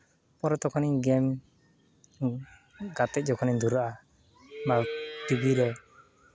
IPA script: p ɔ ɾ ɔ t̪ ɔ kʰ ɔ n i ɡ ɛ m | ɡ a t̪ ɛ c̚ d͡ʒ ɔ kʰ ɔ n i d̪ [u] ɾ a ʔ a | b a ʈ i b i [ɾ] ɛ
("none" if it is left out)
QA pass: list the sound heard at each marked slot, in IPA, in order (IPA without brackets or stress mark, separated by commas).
u, ɾ